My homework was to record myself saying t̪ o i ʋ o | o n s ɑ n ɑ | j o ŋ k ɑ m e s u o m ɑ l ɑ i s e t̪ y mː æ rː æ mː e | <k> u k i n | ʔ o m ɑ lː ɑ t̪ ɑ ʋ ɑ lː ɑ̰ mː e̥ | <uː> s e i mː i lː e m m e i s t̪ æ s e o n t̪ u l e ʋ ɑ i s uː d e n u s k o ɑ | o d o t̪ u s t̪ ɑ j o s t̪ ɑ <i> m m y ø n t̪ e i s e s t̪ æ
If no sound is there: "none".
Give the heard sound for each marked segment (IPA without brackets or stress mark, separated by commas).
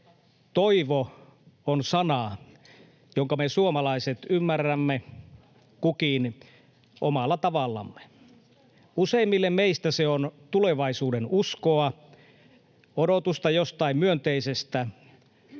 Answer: k, u, i